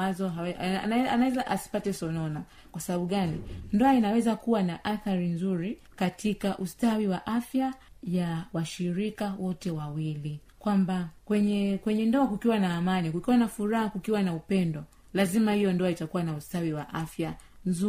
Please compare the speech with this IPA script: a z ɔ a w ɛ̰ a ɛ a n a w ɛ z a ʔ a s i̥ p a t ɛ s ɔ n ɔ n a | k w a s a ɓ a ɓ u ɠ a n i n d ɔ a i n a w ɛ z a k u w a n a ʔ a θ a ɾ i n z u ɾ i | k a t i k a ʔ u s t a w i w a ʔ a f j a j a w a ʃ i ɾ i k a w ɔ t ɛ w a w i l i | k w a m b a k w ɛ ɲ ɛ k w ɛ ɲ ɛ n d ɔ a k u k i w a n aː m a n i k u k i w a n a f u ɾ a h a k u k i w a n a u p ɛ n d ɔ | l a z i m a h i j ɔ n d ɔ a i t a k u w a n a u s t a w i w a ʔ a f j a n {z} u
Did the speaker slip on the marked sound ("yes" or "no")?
no